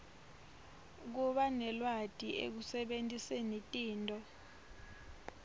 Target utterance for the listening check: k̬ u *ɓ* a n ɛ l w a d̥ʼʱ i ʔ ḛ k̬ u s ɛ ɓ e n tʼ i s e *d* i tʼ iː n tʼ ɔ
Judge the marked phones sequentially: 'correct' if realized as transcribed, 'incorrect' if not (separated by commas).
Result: correct, incorrect